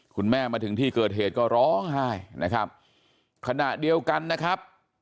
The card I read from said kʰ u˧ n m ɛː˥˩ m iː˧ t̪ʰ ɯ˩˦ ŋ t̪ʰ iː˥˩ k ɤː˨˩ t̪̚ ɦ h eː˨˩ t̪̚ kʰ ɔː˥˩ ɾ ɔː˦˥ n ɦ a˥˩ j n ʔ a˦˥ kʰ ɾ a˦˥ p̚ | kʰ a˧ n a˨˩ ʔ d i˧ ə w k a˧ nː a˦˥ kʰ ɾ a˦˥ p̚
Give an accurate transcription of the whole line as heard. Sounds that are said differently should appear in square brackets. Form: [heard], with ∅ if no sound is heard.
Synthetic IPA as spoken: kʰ u˧ n m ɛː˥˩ m [aː˧] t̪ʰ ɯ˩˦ ŋ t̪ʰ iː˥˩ k ɤː˨˩ t̪̚ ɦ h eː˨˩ t̪̚ [k] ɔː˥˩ ɾ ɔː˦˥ [ŋ] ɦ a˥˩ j n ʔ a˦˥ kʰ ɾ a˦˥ p̚ | kʰ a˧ n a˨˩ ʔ d i˧ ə w k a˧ nː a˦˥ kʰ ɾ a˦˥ p̚